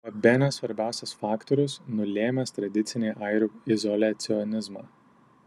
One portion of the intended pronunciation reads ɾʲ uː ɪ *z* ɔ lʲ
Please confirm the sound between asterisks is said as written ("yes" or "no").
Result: yes